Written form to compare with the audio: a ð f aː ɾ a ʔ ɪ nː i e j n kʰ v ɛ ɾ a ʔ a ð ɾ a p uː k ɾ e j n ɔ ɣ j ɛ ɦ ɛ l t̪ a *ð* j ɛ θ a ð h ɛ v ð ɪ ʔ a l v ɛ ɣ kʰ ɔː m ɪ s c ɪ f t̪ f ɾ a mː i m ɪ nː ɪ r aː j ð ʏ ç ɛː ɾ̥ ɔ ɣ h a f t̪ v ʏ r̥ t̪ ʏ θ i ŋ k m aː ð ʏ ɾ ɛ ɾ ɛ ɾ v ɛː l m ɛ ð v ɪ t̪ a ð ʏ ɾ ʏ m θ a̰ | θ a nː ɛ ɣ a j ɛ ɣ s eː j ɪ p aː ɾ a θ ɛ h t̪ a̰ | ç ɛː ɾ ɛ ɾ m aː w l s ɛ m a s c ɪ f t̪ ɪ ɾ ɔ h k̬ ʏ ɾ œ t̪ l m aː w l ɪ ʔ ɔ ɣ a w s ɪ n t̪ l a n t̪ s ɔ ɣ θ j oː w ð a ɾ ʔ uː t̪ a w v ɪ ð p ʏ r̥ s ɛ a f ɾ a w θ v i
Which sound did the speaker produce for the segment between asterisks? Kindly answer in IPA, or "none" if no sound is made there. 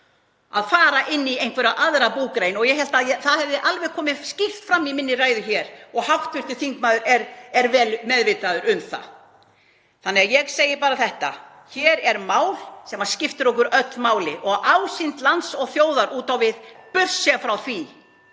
ð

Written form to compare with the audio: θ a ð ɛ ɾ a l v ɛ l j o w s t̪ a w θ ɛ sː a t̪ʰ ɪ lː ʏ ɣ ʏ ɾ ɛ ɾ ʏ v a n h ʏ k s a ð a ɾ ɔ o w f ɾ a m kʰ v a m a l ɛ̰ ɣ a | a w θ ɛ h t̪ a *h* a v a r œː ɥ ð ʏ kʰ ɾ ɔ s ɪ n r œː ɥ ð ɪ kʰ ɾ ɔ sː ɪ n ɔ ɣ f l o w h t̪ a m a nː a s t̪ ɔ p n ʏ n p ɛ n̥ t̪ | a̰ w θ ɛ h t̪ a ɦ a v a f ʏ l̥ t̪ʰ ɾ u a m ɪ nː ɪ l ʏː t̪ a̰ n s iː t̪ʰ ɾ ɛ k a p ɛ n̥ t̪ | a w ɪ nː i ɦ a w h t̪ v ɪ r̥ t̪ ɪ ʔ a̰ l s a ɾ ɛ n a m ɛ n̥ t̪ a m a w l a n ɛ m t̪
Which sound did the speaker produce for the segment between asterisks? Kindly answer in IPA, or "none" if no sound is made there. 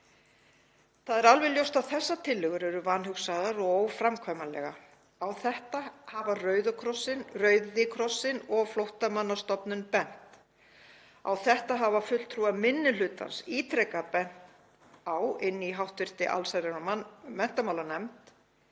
h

